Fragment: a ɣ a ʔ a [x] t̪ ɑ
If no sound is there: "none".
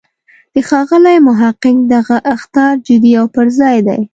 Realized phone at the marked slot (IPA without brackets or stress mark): x